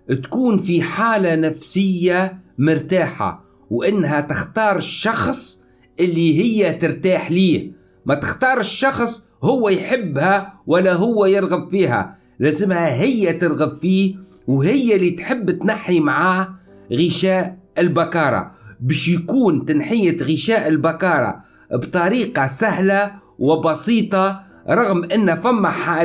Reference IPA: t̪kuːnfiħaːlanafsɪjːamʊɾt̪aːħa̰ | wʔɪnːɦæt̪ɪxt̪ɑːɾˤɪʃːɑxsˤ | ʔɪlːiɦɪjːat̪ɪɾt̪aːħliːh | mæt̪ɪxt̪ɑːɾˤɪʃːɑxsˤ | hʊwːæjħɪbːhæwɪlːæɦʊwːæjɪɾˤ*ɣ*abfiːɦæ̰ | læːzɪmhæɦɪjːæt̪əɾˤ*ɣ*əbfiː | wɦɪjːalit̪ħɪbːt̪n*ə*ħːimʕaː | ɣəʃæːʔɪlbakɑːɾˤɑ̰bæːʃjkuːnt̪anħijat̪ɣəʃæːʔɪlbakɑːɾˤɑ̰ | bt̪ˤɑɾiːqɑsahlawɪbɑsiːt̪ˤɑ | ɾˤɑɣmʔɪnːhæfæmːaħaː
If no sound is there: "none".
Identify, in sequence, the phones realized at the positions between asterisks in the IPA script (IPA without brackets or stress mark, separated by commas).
ɣ, ɣ, a